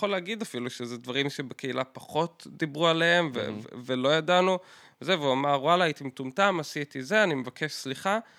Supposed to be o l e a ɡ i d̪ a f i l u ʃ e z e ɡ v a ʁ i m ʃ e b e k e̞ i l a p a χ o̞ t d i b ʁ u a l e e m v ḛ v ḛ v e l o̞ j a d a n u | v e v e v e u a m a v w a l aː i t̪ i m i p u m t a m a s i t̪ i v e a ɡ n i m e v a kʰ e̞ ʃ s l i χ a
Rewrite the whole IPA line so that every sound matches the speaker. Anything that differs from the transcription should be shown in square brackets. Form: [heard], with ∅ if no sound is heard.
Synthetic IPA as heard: o l e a ɡ i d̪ a f i l u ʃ e z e [d] v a ʁ i m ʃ e b e k e̞ i l a p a χ o̞ t d i b ʁ u a l e e m v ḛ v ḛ v e l o̞ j a d a n u | v e [z] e v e u a m a [ʁ] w a l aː i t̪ i m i [t] u m t a m a s i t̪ i [z] e a [∅] n i m e v a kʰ e̞ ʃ s l i χ a